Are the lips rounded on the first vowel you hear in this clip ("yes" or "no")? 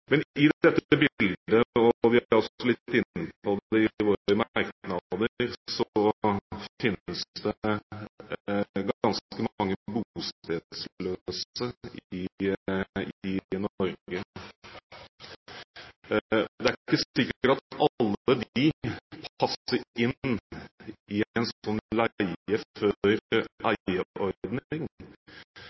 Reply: no